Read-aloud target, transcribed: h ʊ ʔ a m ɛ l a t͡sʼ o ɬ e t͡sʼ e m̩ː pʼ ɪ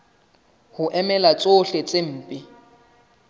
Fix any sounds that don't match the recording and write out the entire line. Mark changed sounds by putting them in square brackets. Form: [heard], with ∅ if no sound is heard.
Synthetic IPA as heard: h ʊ ʔ [ɛ] m ɛ l a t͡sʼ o ɬ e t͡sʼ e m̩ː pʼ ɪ